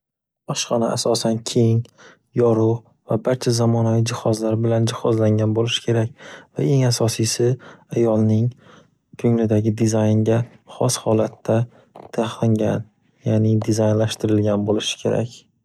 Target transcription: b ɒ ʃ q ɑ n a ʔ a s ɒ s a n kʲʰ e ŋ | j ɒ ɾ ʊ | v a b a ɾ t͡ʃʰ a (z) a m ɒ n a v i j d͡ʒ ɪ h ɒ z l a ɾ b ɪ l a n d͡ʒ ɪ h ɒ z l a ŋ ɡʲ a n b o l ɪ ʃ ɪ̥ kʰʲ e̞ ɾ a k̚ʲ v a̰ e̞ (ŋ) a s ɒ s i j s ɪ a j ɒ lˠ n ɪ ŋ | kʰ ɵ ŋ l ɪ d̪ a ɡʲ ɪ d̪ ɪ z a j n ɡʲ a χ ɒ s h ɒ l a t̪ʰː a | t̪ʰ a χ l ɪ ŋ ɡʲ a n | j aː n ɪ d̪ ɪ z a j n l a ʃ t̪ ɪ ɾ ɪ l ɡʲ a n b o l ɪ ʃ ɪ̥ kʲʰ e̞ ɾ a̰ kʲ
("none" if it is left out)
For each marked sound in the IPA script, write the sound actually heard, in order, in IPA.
z, ŋ

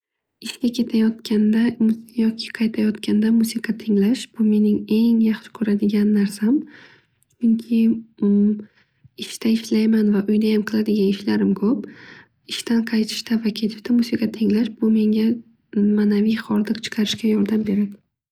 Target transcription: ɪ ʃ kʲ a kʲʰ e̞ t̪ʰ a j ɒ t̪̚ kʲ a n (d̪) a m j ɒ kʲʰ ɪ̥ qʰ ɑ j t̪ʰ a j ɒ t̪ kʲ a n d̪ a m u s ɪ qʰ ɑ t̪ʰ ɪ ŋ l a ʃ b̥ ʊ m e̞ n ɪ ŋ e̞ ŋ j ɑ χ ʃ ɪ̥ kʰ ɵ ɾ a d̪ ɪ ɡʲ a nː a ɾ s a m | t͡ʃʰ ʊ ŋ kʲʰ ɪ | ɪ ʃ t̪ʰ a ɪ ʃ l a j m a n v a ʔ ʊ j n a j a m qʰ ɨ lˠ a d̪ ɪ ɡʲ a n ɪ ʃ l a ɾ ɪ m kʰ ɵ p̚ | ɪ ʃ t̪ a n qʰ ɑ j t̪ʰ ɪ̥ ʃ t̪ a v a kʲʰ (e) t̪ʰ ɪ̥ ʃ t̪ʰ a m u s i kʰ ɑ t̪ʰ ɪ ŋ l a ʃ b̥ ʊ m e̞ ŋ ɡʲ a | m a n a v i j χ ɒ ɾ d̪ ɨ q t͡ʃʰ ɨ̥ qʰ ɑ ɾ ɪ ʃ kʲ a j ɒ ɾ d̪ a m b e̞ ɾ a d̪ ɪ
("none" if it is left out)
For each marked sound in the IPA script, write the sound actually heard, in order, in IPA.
d̪, e

